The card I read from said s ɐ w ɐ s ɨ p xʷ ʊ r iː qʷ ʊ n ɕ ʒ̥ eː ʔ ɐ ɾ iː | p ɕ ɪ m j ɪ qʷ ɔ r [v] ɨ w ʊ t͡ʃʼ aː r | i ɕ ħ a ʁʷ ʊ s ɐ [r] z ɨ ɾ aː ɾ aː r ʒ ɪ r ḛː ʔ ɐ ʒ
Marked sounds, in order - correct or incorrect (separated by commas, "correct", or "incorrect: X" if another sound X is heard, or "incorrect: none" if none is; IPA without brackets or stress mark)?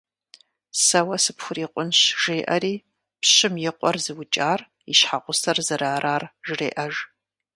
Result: incorrect: z, correct